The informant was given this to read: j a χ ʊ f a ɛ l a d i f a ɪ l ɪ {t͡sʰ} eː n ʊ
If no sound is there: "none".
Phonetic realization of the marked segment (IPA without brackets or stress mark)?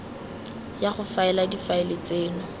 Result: t͡s